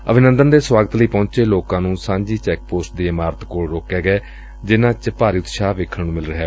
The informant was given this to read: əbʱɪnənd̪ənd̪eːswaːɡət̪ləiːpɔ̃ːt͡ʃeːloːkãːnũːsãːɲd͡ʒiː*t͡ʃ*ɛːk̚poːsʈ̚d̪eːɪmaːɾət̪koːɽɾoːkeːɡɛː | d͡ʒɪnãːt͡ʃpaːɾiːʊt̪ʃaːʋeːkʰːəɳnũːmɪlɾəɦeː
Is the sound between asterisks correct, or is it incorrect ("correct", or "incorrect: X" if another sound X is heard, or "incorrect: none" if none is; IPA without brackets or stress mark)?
correct